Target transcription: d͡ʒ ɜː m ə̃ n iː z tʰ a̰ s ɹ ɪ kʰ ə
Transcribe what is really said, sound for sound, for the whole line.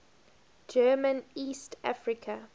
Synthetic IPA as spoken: d͡ʒ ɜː m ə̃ n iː s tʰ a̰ f ɹ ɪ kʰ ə

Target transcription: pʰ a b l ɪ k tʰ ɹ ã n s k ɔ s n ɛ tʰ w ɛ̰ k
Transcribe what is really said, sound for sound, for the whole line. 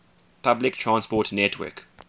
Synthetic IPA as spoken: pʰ a b l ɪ k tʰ ɹ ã n s p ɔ t n ɛ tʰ w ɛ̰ k

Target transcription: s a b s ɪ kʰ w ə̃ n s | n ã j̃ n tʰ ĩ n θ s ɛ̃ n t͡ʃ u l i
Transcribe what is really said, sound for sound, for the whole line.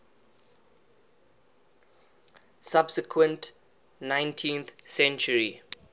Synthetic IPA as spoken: s a b s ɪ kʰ w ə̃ n t | n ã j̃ n tʰ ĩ n θ s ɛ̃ n t͡ʃ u ɹ i

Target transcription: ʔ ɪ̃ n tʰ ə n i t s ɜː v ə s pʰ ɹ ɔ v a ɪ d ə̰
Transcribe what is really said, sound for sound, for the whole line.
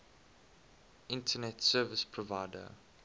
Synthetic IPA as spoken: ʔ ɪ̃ n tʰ ə n ɛ t s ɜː v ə s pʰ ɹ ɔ v a ɪ d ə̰

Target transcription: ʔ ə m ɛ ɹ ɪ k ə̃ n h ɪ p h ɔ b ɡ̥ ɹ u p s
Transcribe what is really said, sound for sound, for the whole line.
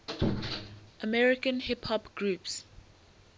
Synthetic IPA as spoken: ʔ ə m ɛ ɹ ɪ k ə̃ n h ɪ p h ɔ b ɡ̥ ɹ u p s

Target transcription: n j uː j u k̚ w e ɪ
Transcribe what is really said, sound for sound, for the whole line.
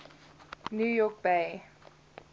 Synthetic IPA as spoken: n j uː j ɔ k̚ b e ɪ

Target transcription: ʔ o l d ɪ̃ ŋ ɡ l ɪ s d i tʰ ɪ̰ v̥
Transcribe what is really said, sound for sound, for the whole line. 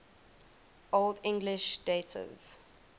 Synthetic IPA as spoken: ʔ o l d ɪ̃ ŋ ɡ l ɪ ʃ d e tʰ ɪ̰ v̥

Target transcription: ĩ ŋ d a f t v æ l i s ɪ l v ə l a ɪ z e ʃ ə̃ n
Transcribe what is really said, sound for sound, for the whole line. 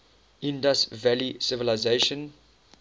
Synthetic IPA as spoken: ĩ n d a s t v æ l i s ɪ v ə l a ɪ z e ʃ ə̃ n

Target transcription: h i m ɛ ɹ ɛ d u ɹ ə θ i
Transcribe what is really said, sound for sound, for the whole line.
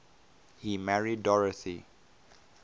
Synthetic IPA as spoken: h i m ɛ ɹ i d ɔ ɹ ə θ i

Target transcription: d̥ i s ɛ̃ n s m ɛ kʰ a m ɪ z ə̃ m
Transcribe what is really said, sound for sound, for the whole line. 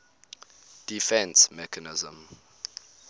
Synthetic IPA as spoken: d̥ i f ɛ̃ n s m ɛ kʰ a n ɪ z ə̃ m

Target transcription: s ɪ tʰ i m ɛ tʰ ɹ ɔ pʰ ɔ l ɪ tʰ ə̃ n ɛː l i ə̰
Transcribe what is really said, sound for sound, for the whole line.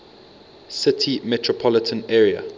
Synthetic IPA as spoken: s ɪ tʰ i m ɛ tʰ ɹ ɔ pʰ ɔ l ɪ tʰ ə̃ n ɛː ɹ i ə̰

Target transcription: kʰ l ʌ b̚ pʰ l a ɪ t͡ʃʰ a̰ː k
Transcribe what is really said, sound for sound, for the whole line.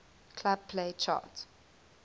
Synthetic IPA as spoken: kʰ l a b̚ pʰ l e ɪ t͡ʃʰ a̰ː t

